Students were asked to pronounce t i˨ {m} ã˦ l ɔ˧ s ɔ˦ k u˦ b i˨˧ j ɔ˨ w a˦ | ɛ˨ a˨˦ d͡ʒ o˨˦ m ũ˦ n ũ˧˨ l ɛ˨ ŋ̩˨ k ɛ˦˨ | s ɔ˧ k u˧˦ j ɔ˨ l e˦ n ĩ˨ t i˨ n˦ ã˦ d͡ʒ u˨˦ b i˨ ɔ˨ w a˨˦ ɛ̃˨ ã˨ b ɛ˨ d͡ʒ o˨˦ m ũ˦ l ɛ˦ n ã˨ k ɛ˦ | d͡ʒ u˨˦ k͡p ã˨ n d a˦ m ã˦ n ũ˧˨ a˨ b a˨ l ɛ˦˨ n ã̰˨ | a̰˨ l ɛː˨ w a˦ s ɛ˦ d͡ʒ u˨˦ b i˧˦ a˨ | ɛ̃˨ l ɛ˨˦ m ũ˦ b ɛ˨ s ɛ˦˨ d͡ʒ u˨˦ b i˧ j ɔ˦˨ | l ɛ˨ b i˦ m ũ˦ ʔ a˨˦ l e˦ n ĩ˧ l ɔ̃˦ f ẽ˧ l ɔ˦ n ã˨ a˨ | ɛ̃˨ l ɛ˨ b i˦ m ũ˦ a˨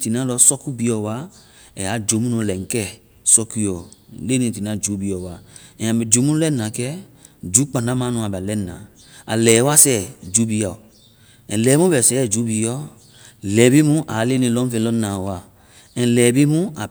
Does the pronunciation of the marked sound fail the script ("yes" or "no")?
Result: yes